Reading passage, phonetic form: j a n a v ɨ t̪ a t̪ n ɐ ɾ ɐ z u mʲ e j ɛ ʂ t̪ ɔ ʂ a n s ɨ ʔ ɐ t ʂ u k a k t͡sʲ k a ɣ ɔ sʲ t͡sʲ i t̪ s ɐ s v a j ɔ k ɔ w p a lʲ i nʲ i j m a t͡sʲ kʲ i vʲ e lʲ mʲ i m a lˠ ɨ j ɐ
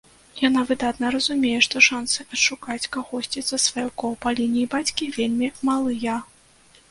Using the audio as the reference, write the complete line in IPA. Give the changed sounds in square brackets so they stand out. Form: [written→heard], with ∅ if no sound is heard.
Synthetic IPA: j a n a v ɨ [t̪→d̪] a t̪ n ɐ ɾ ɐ z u mʲ e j ɛ ʂ t̪ ɔ ʂ a n s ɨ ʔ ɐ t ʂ u k a [k→∅] t͡sʲ k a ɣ ɔ sʲ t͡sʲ i t̪ s ɐ s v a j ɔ k ɔ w p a lʲ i nʲ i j [m→b] a t͡sʲ kʲ i vʲ e lʲ mʲ i m a lˠ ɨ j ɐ